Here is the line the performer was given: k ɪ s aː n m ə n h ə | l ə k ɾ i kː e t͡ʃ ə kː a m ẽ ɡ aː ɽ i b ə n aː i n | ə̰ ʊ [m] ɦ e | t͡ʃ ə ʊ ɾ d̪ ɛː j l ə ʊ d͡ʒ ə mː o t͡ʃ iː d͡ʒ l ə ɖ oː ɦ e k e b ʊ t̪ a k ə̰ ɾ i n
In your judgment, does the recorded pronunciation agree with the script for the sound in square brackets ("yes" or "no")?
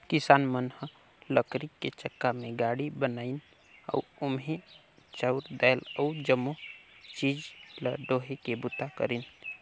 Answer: yes